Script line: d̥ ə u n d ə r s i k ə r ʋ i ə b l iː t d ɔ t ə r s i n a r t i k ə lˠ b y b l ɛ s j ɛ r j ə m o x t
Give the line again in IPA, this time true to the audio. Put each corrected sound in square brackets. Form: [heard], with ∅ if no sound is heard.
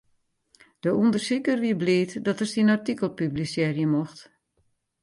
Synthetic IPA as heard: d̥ ə u n d ə r s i k ə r ʋ i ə b l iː t d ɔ t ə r s i n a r t i k ə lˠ [p] y b l [i] s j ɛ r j ə m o x t